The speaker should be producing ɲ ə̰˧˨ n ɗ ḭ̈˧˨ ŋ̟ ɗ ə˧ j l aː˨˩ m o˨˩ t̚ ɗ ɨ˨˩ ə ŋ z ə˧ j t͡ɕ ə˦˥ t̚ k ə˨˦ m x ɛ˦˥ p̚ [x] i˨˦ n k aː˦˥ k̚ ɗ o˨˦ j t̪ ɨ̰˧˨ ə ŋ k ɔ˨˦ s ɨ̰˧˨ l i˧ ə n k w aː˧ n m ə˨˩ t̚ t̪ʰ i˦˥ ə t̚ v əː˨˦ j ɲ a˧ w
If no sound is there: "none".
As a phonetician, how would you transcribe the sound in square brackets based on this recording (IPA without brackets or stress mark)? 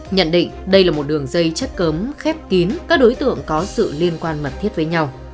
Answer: k